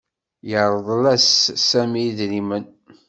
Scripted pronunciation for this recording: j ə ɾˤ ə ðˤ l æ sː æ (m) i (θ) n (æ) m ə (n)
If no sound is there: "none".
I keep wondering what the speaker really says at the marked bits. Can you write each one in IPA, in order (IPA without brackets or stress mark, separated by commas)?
m, ð, i, n